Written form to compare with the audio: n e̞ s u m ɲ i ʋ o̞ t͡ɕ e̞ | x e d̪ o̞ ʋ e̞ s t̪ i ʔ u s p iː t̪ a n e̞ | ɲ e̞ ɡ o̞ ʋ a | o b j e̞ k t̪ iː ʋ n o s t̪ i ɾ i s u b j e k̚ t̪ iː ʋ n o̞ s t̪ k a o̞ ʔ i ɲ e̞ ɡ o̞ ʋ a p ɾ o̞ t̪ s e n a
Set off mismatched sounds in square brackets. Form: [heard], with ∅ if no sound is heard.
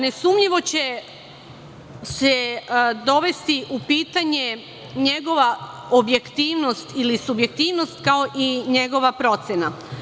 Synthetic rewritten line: n e̞ s u m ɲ i ʋ o̞ t͡ɕ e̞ | [s] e d̪ o̞ ʋ e̞ s t̪ i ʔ u [∅] p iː t̪ a [ɲ] e̞ | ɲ e̞ ɡ o̞ ʋ a | o b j e̞ k t̪ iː ʋ n o s t̪ i [l] i s u b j e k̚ t̪ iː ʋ n o̞ s t̪ k a o̞ ʔ i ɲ e̞ ɡ o̞ ʋ a p ɾ o̞ t̪ s e n a